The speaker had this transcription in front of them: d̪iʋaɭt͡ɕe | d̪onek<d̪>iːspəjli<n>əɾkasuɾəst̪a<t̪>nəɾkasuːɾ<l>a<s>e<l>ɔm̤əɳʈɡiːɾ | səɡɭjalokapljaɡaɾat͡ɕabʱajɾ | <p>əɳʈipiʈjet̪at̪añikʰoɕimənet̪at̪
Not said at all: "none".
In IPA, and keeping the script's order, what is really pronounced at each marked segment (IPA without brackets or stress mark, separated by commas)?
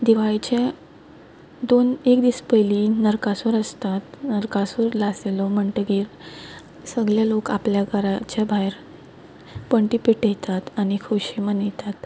d̪, n, t̪, l, s, l, p